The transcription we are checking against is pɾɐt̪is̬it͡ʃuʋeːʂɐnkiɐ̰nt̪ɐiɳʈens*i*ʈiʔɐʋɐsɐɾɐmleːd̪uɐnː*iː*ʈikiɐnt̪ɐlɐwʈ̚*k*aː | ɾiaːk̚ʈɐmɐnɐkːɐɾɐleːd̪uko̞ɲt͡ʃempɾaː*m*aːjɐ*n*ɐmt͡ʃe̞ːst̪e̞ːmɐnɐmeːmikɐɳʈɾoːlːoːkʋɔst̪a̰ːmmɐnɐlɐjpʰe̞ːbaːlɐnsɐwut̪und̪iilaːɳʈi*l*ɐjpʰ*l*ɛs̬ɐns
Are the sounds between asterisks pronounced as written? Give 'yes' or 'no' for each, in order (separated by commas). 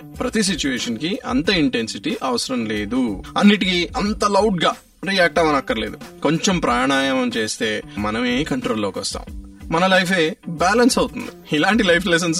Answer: yes, no, no, no, no, yes, yes